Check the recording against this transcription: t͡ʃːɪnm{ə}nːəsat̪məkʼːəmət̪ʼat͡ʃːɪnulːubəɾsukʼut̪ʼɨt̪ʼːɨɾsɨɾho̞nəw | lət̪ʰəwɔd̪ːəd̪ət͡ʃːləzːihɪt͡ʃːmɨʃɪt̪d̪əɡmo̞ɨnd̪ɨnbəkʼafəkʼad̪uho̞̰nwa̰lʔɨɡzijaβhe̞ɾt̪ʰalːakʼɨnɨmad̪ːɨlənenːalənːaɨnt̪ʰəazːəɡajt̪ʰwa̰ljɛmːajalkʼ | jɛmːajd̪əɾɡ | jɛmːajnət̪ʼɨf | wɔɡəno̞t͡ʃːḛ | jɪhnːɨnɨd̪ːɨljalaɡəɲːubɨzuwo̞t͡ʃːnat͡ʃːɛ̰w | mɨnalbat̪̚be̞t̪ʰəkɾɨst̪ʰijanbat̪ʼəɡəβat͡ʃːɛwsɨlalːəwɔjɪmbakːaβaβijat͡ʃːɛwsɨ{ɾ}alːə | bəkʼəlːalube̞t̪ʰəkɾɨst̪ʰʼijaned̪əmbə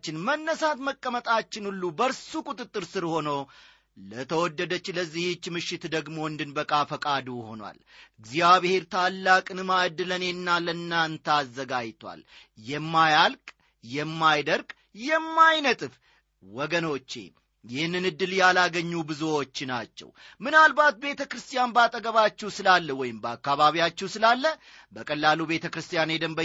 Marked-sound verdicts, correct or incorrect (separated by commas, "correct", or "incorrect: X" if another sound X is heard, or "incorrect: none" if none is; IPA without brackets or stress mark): correct, incorrect: l